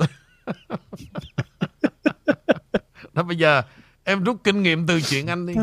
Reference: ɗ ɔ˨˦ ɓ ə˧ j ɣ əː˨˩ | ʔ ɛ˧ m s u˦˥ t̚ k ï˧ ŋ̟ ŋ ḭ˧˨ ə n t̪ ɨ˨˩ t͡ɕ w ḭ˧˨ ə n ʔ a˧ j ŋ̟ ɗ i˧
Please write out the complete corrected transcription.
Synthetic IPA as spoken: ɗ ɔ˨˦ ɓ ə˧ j z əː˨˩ | ʔ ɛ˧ m z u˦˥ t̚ k ï˧ ŋ̟ ŋ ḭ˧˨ ə m t̪ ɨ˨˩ t͡ɕ w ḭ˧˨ ə n ʔ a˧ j ŋ̟ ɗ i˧